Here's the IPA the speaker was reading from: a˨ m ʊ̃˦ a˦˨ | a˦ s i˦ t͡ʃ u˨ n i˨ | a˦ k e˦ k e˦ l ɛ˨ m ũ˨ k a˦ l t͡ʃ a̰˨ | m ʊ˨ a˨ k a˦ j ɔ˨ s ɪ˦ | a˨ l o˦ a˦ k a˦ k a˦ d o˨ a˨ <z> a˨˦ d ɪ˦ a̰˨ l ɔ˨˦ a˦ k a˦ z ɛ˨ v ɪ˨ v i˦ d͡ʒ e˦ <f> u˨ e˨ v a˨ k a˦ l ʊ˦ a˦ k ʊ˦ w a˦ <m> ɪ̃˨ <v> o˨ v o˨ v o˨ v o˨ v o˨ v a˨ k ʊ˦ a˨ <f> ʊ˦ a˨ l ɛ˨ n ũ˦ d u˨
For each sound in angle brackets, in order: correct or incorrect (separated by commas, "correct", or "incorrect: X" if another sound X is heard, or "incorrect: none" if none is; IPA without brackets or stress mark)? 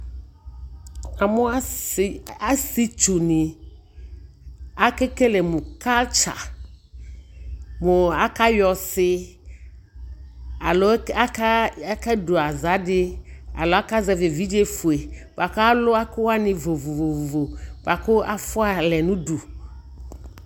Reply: correct, correct, incorrect: n, correct, correct